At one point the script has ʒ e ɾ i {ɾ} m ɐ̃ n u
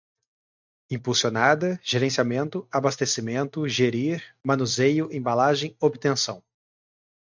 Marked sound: correct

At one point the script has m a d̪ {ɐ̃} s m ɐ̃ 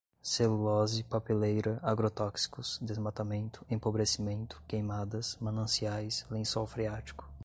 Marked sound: incorrect: ɐ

